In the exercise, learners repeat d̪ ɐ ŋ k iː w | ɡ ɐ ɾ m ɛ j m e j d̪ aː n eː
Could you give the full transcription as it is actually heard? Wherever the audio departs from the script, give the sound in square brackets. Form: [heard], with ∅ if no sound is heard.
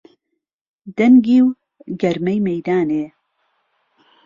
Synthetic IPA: d̪ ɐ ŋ [ɡ] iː w | ɡ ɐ ɾ m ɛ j m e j d̪ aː n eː

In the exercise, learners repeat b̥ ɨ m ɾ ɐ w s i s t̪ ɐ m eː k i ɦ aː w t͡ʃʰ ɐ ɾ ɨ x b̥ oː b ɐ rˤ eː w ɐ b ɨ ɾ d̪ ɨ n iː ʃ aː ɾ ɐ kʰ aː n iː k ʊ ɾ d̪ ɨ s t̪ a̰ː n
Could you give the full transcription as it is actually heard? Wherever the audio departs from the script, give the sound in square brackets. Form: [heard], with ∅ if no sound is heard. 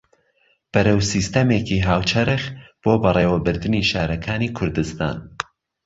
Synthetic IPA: b̥ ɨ [∅] ɾ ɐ w s i s t̪ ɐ m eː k i ɦ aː w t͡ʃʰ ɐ ɾ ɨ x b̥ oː b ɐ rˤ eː w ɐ b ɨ ɾ d̪ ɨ n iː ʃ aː ɾ ɐ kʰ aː n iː [kʰ] ʊ ɾ d̪ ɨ s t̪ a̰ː n

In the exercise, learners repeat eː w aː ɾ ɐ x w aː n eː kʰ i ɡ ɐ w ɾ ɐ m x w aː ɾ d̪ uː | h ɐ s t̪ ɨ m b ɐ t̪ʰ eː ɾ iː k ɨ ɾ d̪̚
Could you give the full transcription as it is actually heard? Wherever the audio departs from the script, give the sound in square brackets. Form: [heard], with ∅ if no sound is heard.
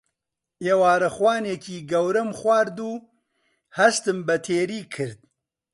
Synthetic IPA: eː w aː ɾ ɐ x w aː n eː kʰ [iː] ɡ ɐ w ɾ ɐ m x w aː ɾ d̪ uː | h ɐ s t̪ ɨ m b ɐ t̪ʰ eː ɾ iː [kʰ] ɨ ɾ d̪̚

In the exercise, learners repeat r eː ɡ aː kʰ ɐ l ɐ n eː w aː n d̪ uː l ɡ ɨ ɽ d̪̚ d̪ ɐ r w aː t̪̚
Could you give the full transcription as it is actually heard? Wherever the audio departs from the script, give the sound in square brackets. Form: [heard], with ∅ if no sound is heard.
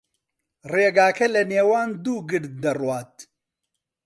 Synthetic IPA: r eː ɡ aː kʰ ɐ l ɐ n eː w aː n d̪ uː [∅] ɡ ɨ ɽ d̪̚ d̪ ɐ r w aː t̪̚

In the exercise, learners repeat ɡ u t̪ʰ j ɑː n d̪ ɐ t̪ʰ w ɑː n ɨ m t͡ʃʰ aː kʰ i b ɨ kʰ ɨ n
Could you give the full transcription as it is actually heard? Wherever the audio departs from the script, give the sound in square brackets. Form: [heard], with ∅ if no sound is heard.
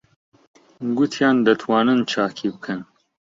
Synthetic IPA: ɡ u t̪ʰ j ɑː n d̪ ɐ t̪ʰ w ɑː n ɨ [n] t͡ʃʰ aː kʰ i b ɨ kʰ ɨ n

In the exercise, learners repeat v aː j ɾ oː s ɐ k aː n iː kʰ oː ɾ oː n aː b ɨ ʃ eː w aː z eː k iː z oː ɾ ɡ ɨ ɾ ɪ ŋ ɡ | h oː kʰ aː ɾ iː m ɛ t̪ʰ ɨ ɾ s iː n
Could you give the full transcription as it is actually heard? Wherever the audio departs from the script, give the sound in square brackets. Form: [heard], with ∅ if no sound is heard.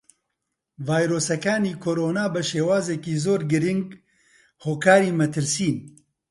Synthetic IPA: v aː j ɾ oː s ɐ k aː n iː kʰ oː ɾ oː n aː b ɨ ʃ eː w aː z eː k iː z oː ɾ ɡ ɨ ɾ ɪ ŋ ɡ | h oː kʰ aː ɾ iː m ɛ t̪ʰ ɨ ɾ s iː n

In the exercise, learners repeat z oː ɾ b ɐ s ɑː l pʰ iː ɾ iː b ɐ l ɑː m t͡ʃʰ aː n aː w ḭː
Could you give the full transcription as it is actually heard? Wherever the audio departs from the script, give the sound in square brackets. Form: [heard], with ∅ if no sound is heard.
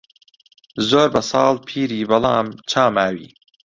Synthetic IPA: z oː ɾ b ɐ s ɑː l pʰ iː ɾ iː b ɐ l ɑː m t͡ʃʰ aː [m] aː w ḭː

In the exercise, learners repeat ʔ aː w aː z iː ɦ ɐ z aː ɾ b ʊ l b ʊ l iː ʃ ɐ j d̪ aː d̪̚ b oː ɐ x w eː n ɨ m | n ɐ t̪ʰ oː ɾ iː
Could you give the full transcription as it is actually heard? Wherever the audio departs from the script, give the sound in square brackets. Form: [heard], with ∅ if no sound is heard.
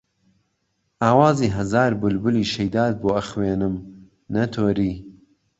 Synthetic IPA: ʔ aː w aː z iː ɦ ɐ z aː ɾ b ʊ l b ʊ l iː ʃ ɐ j d̪ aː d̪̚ b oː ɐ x w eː n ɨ m | n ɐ t̪ʰ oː ɾ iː

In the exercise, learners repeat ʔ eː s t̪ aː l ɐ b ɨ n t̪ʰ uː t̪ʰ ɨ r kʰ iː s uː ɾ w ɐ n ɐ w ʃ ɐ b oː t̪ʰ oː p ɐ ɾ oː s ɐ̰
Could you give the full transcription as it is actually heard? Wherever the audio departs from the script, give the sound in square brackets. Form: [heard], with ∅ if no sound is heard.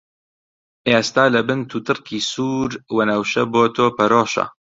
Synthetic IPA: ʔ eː s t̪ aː l ɐ b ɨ n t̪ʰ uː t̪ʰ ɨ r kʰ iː s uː ɾ w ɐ n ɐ w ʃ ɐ b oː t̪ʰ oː p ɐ ɾ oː [ʃ] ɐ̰

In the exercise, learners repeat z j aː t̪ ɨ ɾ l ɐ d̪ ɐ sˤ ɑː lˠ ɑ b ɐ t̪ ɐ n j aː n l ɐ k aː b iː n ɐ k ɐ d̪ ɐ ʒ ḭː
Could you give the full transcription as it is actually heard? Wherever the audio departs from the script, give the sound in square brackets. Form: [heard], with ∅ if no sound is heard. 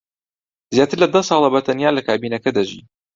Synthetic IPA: z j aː t̪ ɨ ɾ l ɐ d̪ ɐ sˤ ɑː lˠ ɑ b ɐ t̪ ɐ n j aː [∅] l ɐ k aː b iː n ɐ k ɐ d̪ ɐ ʒ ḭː

